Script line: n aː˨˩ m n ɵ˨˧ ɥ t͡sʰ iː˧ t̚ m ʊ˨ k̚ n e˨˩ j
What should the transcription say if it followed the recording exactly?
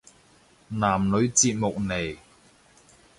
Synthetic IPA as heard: n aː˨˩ m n ɵ˨˧ ɥ t͡s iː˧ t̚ m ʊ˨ k̚ n e˨˩ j